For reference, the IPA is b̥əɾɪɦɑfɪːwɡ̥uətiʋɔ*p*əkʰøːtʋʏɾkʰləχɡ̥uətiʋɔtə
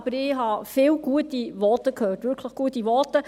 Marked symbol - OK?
no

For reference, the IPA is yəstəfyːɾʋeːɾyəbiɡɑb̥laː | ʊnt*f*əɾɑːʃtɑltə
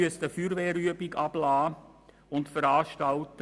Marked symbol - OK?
yes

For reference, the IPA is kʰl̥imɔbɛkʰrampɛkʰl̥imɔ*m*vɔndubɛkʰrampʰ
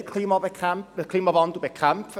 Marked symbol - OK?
no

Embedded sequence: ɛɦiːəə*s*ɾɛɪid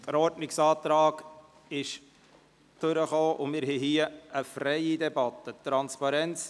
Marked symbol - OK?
no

